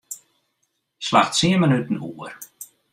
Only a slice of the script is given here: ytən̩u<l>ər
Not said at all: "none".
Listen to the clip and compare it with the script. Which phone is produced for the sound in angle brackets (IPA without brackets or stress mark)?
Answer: none